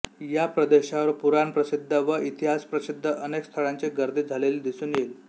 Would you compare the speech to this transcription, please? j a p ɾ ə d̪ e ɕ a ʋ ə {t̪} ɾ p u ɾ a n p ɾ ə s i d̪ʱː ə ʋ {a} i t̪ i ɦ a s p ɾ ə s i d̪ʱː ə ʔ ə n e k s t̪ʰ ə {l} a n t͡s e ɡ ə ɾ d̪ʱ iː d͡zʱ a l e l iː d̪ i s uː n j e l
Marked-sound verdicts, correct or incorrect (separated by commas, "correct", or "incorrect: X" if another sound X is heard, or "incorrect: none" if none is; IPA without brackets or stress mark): incorrect: none, incorrect: ə, incorrect: ɭ